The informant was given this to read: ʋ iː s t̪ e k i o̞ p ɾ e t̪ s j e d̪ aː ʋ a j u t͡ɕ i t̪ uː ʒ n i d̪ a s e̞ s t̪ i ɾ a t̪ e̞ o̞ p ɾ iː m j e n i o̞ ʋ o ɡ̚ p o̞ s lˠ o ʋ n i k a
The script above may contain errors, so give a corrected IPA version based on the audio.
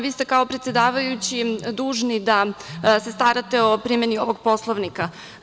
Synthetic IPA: ʋ iː s t̪ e k a o̞ p ɾ e t̪ s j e d̪ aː ʋ a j u t͡ɕ i d̪ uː ʒ n i d̪ a s e̞ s t̪ a ɾ a t̪ e̞ o̞ p ɾ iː m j e n i o̞ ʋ o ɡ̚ p o̞ s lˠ o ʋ n i k a